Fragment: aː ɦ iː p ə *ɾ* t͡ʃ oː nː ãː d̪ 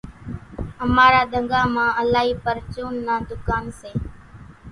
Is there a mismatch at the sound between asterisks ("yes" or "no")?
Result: no